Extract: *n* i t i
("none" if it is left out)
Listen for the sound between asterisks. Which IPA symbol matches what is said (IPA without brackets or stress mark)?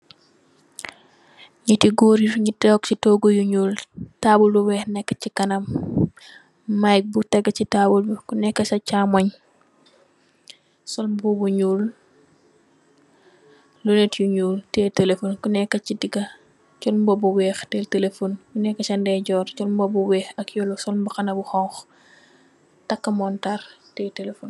ɲ